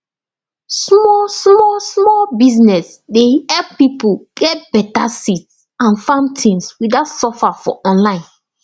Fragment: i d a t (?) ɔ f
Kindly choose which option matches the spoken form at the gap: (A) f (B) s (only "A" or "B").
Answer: B